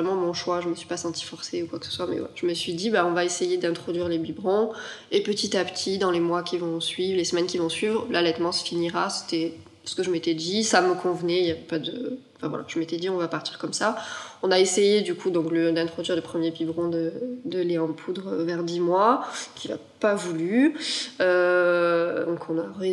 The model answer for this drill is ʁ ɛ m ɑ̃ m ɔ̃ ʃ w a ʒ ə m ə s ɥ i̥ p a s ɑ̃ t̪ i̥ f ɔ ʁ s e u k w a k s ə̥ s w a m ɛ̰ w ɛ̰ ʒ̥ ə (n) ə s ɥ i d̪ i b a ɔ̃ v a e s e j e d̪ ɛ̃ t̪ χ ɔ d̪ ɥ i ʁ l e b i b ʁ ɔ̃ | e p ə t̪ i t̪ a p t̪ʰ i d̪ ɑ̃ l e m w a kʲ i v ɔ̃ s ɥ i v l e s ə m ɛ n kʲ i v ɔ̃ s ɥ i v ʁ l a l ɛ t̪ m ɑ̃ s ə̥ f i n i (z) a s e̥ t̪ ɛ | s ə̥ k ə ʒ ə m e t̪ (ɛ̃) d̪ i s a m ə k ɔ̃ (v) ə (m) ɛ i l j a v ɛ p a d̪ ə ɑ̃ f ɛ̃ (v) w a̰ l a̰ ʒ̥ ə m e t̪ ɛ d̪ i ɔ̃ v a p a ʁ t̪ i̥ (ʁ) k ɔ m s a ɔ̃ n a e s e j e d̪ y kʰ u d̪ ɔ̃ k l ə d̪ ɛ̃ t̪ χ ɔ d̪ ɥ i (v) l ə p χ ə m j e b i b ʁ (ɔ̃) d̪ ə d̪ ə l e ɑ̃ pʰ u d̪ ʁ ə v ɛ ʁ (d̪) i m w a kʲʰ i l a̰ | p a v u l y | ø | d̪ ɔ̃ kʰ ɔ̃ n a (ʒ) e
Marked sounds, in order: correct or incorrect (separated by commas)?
incorrect, incorrect, incorrect, correct, incorrect, correct, correct, incorrect, correct, correct, incorrect